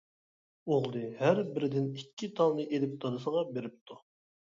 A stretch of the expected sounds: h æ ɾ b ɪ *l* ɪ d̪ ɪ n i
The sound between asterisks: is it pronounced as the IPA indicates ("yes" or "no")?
no